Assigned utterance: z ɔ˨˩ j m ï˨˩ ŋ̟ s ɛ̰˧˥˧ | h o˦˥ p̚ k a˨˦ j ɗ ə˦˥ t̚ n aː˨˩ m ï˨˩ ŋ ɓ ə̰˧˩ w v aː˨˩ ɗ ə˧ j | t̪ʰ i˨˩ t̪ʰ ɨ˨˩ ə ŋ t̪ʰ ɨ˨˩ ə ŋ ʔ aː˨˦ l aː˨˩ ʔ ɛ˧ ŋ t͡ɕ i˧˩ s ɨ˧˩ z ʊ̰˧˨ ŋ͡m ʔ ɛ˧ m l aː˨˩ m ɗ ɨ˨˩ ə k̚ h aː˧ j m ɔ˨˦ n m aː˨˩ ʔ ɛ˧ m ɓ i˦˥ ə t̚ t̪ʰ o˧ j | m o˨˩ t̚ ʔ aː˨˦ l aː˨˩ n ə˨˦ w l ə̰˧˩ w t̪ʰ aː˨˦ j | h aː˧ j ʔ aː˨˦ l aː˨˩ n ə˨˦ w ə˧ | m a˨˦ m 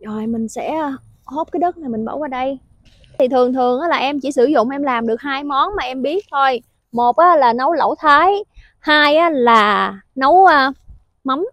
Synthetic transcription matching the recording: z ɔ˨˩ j m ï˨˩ ŋ̟ s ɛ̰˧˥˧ | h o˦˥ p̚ k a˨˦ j ɗ ə˦˥ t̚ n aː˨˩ m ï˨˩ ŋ ɓ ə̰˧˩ w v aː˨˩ ɗ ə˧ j | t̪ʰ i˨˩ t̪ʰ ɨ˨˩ ə ŋ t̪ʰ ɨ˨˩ ə ŋ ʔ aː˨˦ l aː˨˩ ʔ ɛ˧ m t͡ɕ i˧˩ s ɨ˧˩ z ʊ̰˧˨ ŋ͡m ʔ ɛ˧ m l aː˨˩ m ɗ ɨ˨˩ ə k̚ h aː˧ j m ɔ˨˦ n m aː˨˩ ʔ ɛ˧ m ɓ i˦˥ ə t̚ t̪ʰ o˧ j | m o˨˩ t̚ ʔ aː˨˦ l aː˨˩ n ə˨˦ w l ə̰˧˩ w t̪ʰ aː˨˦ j | h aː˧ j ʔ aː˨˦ l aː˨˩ n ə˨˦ w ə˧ | m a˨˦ m